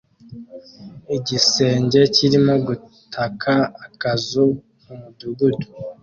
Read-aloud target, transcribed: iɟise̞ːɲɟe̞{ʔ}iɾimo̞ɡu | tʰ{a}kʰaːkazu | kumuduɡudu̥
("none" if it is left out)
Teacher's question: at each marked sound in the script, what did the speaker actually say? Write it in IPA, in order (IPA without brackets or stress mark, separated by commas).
c, a